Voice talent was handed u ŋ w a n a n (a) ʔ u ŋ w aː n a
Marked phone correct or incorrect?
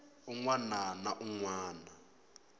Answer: correct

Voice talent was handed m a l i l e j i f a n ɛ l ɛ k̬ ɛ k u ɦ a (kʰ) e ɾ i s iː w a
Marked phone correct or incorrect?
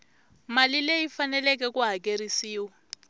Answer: incorrect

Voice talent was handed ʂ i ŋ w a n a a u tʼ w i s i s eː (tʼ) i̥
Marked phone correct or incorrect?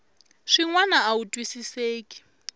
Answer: incorrect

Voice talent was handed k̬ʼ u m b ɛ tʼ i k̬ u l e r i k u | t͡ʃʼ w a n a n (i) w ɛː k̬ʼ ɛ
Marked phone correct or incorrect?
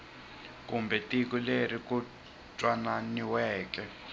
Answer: correct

